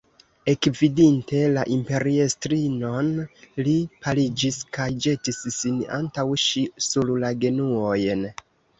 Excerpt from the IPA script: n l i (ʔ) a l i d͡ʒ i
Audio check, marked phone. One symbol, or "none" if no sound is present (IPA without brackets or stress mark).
p